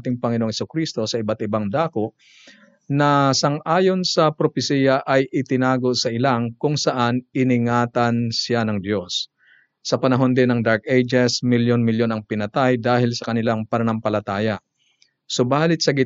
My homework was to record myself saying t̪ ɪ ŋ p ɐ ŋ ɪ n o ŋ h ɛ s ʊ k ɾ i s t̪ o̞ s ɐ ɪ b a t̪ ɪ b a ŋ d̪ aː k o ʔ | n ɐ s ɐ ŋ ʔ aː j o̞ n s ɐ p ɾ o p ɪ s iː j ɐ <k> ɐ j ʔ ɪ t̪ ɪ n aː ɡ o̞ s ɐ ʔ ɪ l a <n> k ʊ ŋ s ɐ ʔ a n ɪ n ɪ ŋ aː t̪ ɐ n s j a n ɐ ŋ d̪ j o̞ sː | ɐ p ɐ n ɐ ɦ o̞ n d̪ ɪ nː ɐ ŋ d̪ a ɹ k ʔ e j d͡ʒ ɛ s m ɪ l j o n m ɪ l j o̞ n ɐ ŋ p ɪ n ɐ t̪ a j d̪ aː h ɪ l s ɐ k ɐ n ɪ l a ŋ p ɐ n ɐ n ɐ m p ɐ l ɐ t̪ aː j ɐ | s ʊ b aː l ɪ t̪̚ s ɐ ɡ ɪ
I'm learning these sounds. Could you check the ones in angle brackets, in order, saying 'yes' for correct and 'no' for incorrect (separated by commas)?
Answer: no, no